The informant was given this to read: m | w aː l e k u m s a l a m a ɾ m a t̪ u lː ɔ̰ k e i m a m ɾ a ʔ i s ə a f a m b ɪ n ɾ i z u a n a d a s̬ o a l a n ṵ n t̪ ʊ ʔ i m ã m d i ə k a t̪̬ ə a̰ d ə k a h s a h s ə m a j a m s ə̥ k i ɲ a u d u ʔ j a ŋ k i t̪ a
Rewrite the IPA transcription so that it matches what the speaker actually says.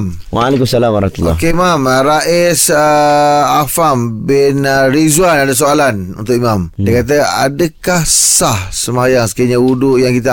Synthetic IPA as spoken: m | w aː l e k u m s a l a m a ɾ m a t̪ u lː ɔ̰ k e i m a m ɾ a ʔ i s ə a f a m b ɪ n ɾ i z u a n a d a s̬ o a l a n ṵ n t̪ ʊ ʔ i m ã m d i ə k a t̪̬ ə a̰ d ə k a h s a h s ə m a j a ŋ s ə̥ k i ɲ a u d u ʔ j a ŋ k i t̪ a